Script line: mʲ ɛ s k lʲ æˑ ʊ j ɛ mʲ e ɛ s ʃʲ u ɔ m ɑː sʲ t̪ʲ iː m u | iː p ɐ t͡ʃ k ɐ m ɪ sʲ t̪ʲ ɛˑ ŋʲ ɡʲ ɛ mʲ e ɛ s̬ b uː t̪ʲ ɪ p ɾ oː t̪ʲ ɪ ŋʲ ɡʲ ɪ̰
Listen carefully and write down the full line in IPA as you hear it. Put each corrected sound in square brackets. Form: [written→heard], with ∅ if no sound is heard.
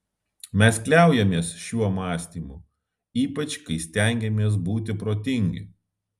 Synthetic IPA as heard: mʲ ɛ s k lʲ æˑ ʊ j ɛ mʲ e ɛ s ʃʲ u ɔ m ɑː sʲ t̪ʲ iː m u | iː p ɐ t͡ʃ k ɐ [m→∅] ɪ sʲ t̪ʲ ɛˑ ŋʲ ɡʲ ɛ mʲ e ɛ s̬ b uː t̪ʲ ɪ p ɾ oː t̪ʲ ɪ ŋʲ ɡʲ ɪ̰